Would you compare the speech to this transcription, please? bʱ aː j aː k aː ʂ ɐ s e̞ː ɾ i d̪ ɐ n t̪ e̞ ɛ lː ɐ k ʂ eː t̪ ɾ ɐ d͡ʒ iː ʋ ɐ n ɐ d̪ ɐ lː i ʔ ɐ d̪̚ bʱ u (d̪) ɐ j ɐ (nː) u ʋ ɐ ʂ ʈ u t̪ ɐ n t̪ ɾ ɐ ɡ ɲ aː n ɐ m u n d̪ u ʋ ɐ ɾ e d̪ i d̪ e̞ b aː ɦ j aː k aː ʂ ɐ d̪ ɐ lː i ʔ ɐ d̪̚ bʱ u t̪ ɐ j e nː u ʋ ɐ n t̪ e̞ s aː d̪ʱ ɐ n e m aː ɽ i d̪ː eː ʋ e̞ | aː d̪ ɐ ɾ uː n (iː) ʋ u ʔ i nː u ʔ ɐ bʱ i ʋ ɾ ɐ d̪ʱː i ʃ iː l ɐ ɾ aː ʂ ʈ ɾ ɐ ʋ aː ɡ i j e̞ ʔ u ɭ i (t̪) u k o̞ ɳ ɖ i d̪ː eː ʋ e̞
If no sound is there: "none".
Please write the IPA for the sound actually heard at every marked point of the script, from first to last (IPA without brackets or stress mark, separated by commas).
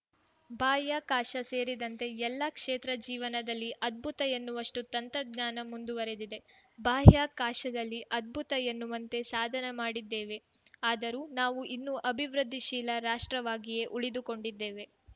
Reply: t̪, nː, aː, d̪